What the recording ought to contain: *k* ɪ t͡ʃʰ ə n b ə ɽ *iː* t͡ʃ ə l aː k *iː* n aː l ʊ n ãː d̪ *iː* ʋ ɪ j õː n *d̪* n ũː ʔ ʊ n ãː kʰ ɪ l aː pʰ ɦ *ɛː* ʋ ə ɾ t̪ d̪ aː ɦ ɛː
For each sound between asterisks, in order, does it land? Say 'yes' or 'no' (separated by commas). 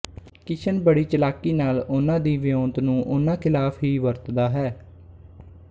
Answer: yes, yes, yes, yes, no, no